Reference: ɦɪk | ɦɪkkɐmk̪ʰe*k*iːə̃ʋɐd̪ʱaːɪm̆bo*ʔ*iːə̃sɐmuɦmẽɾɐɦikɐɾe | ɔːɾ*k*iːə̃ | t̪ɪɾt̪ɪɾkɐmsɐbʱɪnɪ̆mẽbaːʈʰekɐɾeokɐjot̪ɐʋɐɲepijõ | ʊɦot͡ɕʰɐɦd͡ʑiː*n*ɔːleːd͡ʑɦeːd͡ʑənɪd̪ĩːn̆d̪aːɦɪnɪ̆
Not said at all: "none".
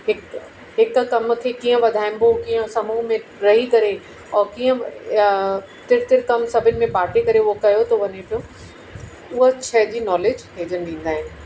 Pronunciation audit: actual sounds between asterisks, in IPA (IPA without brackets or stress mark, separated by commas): k, k, k, n